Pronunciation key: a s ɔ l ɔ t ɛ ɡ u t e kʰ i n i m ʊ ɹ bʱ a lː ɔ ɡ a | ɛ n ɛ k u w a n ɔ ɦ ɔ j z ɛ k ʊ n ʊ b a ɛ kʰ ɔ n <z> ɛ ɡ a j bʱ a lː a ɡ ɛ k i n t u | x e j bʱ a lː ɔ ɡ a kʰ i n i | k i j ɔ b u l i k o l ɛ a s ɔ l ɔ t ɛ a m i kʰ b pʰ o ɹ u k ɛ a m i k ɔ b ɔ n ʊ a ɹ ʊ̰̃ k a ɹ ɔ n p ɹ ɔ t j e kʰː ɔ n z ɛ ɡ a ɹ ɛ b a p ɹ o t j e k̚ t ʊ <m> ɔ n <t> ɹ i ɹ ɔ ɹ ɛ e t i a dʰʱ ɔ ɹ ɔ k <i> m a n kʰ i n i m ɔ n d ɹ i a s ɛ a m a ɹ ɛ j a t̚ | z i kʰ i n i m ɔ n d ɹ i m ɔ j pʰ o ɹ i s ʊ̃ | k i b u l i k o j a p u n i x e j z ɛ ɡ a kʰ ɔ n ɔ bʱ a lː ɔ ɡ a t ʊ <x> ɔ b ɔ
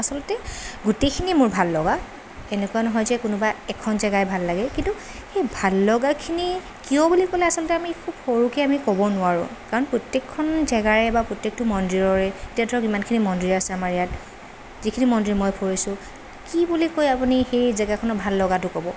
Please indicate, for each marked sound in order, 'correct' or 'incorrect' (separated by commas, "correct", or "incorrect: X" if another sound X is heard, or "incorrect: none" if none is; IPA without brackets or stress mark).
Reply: correct, correct, incorrect: d, correct, incorrect: k